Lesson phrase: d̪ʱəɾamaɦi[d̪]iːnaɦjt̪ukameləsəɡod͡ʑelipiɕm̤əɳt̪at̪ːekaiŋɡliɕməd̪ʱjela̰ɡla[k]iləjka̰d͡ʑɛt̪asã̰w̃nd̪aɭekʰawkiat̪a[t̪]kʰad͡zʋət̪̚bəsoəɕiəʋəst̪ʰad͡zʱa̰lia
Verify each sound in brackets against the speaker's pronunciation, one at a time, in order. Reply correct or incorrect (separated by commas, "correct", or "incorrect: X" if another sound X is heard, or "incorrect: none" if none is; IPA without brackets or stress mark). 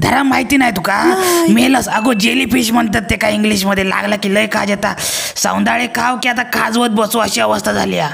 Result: incorrect: t̪, correct, incorrect: none